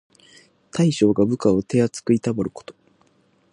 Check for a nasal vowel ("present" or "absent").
absent